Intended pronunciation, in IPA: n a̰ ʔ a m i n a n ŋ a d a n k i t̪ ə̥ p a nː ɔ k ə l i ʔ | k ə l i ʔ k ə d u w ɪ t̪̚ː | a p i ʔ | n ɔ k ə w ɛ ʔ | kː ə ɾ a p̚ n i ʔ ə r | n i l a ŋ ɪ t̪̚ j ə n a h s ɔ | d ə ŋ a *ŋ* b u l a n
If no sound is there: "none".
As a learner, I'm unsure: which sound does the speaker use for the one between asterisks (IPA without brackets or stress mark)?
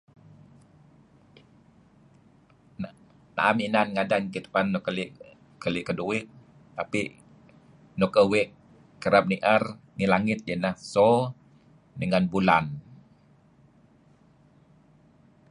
n